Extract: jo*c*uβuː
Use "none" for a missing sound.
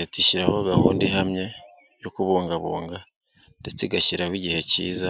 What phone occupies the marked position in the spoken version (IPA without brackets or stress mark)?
k